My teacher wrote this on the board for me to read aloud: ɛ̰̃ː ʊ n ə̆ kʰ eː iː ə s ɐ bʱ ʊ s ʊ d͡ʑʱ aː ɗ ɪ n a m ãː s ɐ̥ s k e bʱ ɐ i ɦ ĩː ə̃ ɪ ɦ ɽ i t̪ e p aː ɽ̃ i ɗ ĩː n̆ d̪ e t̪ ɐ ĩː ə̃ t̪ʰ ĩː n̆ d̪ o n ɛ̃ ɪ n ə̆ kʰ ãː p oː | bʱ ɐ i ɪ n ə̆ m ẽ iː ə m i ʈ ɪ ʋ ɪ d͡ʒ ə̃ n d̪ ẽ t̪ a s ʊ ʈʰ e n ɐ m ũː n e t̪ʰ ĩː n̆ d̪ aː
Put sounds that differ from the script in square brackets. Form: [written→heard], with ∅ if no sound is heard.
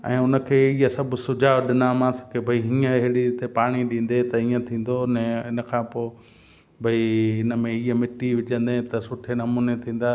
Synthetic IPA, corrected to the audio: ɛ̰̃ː ʊ n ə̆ kʰ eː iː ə s ɐ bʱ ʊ s ʊ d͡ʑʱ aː ɗ ɪ n a m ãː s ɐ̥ [s→∅] k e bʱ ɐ i ɦ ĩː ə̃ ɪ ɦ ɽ i t̪ e p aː ɽ̃ i ɗ ĩː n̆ d̪ e t̪ ɐ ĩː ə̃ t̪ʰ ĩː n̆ d̪ o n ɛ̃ ɪ n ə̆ kʰ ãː p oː | bʱ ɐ i ɪ n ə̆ m ẽ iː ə m [i→ɪ] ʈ [ɪ→i] ʋ ɪ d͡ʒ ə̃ n d̪ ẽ t̪ [a→ɐ] s ʊ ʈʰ e n ɐ m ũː n e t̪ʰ ĩː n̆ d̪ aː